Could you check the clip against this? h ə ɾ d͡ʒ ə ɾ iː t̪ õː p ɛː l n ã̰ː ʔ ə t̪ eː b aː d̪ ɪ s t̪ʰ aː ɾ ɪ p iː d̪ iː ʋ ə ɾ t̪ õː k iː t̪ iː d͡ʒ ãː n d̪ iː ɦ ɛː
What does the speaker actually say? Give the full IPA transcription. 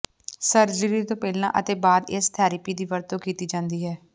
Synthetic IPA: s ə ɾ d͡ʒ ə ɾ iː t̪ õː p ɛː l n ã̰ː ʔ ə t̪ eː b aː d̪ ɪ s t̪ʰ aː ɾ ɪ p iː d̪ iː ʋ ə ɾ t̪ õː k iː t̪ iː d͡ʒ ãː n d̪ iː ɦ ɛː